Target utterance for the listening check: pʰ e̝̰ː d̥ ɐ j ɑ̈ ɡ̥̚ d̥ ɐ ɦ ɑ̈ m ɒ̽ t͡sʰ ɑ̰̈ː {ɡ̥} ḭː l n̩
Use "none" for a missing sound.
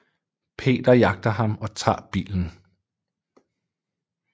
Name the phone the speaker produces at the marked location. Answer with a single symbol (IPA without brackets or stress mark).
b̥